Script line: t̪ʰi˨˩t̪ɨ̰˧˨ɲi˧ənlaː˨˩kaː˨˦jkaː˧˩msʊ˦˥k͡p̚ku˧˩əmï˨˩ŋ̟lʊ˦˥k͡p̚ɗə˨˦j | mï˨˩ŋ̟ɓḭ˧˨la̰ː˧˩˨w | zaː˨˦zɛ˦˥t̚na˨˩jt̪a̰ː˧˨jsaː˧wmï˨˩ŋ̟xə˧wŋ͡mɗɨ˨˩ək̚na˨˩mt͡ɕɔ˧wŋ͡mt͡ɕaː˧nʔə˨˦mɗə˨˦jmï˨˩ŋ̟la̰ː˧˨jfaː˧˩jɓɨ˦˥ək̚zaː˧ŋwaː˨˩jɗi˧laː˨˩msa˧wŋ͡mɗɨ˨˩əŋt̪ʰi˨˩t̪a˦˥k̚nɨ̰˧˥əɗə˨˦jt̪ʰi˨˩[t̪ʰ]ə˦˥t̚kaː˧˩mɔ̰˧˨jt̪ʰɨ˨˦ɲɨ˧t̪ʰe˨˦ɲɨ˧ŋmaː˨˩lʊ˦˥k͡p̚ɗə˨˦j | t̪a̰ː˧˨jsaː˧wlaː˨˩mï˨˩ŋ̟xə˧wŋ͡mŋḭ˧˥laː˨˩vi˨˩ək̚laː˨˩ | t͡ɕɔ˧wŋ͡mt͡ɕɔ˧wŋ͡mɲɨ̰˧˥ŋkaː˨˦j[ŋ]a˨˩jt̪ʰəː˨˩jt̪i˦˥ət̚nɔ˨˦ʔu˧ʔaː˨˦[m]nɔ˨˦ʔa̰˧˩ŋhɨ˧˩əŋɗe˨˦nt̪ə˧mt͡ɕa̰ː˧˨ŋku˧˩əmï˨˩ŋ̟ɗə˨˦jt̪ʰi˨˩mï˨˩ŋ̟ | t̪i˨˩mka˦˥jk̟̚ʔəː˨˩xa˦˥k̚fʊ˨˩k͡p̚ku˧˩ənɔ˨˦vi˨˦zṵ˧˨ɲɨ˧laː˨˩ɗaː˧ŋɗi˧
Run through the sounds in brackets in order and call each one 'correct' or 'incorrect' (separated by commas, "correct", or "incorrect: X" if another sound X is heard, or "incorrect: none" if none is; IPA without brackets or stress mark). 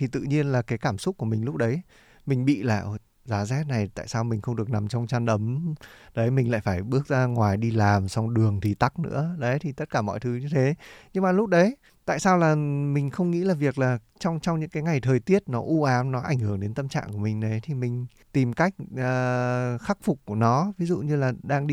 incorrect: t̪, correct, correct